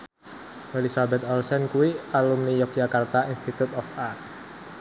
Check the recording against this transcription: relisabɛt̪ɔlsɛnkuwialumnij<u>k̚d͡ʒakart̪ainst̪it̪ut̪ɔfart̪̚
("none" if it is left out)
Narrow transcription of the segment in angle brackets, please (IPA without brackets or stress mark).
ɔ